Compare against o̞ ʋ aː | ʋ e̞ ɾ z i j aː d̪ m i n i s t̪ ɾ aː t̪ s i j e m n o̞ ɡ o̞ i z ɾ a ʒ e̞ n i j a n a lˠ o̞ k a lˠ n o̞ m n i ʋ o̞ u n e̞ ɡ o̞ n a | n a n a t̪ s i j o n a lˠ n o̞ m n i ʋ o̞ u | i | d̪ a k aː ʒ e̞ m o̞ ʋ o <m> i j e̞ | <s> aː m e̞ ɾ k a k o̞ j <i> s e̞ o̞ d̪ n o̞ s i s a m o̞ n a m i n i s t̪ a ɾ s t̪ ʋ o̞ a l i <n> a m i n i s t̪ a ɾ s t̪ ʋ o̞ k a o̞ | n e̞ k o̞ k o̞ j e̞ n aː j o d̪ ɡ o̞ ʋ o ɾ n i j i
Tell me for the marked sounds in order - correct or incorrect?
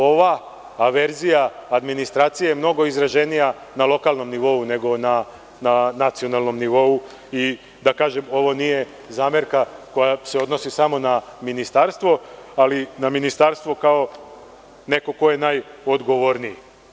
incorrect: n, incorrect: z, incorrect: a, correct

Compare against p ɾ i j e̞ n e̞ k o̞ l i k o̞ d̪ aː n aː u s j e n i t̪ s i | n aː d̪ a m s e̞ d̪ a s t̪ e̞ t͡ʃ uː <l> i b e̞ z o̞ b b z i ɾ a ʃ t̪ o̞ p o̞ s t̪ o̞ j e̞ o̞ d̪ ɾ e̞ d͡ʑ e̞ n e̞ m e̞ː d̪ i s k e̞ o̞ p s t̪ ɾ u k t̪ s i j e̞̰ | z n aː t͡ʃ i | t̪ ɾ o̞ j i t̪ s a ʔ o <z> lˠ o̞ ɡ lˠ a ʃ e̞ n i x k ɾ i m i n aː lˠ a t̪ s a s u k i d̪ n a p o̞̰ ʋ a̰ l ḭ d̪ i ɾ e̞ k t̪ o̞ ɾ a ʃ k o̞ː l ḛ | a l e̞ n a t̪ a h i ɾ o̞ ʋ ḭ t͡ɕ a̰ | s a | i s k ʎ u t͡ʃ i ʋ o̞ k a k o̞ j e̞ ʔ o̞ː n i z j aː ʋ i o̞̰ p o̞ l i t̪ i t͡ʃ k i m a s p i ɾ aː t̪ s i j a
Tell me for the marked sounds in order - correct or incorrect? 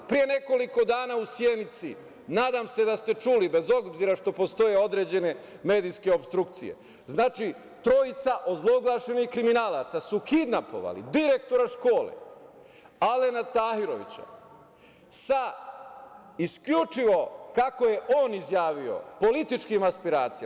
correct, correct

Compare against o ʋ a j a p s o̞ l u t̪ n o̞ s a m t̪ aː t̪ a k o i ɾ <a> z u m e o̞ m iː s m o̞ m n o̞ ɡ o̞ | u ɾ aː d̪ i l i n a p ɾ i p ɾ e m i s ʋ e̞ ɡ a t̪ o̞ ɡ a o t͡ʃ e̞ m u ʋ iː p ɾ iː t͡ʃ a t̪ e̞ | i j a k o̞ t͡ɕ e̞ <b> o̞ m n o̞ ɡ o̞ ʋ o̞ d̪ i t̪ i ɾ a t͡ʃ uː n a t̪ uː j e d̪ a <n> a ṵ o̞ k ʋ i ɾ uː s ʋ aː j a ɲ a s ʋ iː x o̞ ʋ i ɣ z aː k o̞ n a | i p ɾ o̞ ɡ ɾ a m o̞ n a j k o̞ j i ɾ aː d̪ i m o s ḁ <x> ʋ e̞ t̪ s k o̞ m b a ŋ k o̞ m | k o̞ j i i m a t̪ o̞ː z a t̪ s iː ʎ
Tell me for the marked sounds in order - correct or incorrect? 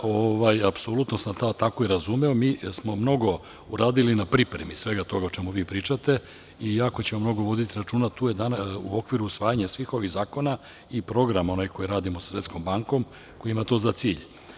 correct, incorrect: m, correct, incorrect: s

